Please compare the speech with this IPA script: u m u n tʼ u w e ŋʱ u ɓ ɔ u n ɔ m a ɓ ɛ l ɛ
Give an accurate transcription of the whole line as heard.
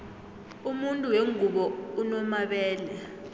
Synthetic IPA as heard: u m u n tʼ u w e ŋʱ u ɓ ɔ u n ɔ m a ɓ ɛː l ɛ